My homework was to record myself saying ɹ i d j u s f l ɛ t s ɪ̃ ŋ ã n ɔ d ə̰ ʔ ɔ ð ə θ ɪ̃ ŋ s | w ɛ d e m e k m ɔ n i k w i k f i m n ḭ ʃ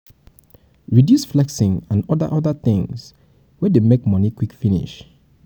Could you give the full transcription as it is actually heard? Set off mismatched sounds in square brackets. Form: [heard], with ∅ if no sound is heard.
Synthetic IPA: ɹ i d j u s f l ɛ [k] s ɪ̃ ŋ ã n ɔ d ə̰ ʔ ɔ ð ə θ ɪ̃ ŋ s | w ɛ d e m e k m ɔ n i k w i k f i [∅] n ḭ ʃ